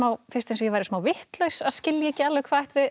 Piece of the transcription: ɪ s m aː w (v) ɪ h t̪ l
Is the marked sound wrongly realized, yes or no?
no